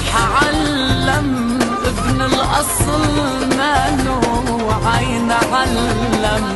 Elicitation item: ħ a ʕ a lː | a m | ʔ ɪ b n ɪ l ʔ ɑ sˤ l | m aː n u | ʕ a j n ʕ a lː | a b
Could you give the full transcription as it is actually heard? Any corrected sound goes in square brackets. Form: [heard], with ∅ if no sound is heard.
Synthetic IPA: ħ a ʕ a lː | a m | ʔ ɪ b n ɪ l ʔ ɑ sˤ l | m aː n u | ʕ a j n ʕ a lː | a [m]